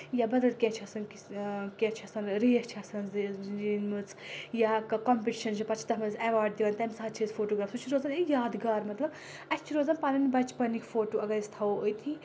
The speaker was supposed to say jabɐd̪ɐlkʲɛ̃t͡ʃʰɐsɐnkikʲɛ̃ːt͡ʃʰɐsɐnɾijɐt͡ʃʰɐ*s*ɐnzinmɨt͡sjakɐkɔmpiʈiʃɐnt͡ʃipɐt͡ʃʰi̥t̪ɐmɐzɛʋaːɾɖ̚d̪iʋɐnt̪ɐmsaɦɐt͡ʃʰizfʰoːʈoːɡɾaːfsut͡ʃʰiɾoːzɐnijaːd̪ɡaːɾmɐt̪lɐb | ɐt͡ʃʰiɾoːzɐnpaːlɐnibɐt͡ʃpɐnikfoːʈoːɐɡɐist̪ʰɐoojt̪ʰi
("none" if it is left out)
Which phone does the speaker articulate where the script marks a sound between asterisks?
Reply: s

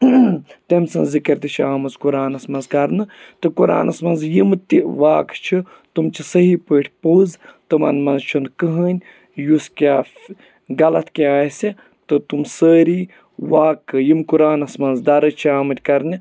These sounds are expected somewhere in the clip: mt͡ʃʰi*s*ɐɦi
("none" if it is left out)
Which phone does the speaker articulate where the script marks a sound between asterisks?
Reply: s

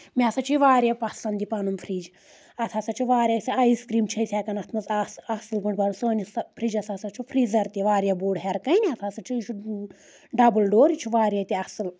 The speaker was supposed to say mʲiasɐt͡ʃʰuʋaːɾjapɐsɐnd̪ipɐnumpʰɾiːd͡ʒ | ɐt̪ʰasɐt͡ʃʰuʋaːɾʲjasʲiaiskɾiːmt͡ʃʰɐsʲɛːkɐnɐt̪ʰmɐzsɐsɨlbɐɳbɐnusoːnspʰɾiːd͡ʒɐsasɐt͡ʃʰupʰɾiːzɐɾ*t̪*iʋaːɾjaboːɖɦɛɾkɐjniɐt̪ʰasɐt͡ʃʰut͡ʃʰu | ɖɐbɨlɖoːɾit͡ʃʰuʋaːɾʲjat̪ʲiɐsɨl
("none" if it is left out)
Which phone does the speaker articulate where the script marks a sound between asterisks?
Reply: t̪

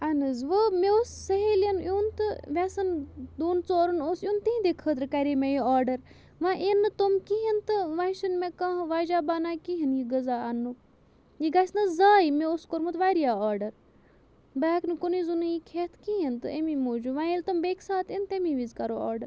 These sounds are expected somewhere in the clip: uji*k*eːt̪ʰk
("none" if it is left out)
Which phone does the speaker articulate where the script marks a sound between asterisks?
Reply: kʰ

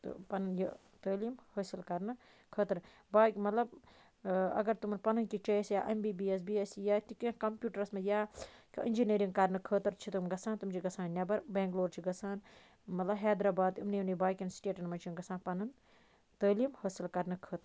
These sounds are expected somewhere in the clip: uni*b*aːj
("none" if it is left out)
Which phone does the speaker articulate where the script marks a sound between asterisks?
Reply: b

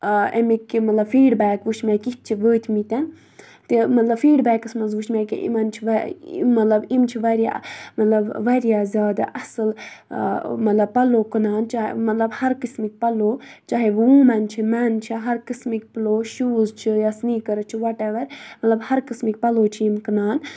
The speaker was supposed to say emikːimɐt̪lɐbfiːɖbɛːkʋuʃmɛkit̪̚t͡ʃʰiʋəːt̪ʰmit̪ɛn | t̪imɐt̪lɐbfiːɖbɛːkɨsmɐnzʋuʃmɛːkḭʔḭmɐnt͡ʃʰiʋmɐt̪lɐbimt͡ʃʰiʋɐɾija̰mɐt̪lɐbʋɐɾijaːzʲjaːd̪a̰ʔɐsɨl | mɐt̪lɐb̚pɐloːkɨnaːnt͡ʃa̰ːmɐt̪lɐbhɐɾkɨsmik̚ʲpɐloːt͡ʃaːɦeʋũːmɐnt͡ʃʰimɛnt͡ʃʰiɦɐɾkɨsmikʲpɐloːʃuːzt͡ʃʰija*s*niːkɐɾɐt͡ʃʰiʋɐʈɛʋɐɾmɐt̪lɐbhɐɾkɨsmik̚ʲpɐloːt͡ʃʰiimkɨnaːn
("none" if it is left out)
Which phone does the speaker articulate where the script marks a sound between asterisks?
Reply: s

